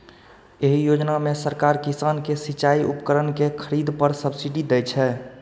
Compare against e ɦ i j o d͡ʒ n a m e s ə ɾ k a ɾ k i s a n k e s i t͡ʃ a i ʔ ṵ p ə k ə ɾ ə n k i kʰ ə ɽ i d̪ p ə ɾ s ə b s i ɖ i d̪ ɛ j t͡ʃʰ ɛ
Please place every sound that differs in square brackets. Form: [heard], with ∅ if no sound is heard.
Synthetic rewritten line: e ɦ i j o d͡ʒ n a m e s ə ɾ k a ɾ k i s a n k e s i t͡ʃ a i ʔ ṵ p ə k ə ɾ ə n k [e] kʰ ə [ɾ] i d̪ p ə ɾ s ə b s i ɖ i d̪ ɛ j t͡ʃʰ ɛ